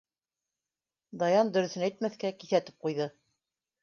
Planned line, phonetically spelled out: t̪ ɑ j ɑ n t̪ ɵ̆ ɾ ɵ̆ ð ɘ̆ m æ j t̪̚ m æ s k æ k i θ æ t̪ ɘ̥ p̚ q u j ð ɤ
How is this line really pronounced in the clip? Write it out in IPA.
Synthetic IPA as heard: d̪ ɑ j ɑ n d̪ ɵ̆ ɾ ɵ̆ θ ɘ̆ n æ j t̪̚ m æ θ k æ k i θ æ t̪ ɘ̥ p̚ q u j ð ɤ